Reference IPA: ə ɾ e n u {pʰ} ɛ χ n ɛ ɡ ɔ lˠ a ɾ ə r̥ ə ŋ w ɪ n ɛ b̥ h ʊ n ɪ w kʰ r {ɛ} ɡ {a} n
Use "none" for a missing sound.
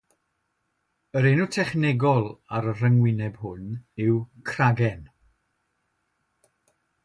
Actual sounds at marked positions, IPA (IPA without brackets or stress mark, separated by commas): tʰ, a, ɛ